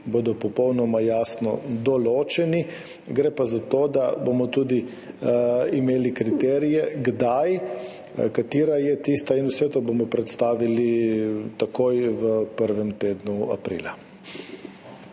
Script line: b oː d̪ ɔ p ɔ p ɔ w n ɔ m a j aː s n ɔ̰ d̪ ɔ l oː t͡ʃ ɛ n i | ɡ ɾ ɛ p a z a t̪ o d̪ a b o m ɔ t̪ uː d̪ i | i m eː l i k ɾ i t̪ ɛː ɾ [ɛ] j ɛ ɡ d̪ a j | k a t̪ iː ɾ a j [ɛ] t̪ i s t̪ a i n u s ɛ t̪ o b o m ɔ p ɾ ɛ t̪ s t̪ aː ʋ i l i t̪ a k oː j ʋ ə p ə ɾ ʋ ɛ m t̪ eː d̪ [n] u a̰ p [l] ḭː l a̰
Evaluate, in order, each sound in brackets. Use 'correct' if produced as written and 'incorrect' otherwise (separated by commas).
incorrect, correct, correct, incorrect